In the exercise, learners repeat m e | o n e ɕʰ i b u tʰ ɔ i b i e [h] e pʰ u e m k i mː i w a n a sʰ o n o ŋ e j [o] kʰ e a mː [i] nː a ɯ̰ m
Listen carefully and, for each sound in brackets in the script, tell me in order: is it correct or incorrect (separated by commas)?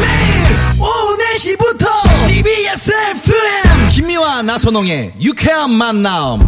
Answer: incorrect, incorrect, incorrect